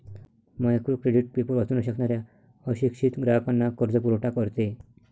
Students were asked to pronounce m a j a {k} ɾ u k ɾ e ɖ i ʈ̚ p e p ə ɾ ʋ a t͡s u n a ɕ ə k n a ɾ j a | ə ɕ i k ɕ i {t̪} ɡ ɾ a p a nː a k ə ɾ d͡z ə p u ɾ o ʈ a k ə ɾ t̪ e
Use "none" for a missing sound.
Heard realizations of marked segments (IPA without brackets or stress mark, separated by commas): k, t̪